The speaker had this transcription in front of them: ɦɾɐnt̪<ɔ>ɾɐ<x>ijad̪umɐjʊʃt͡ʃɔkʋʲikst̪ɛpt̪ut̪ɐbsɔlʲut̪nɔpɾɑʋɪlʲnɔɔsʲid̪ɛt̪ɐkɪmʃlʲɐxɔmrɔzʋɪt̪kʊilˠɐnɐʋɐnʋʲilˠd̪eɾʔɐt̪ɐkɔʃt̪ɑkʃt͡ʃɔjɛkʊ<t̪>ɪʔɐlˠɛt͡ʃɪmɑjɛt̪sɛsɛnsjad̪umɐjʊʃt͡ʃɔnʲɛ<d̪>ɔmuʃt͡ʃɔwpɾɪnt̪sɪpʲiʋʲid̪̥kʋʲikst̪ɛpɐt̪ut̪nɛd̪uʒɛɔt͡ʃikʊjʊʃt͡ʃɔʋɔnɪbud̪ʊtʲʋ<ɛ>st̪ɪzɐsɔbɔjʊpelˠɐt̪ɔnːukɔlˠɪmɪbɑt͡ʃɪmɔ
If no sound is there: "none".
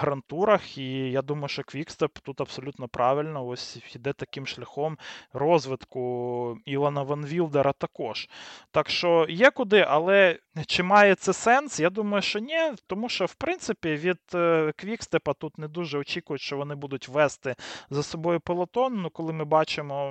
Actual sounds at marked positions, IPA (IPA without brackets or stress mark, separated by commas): u, x, d̪, t̪, ɛ